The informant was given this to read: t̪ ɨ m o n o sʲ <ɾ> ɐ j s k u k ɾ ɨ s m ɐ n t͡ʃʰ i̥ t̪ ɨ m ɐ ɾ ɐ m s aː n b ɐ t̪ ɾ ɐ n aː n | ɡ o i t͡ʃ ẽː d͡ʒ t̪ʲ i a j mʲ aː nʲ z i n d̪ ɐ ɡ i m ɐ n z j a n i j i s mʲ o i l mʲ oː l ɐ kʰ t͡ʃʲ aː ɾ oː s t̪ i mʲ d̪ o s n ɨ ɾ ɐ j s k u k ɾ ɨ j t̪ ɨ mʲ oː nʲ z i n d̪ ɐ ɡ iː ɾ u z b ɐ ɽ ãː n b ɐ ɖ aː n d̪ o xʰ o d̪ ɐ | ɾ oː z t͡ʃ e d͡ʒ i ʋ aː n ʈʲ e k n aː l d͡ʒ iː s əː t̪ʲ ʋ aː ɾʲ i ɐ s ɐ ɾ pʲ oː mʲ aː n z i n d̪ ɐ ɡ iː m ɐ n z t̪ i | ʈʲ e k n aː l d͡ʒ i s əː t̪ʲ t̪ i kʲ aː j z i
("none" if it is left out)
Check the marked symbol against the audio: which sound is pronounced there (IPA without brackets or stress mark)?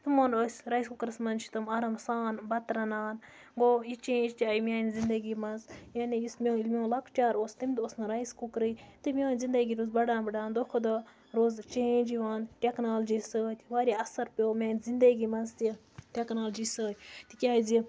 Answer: ɾ